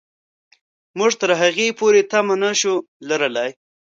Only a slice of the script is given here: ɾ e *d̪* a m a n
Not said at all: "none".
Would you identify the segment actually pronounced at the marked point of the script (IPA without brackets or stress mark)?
t̪